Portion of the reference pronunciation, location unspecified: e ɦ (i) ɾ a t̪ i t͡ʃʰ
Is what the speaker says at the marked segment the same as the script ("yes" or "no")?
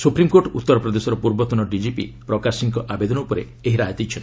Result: yes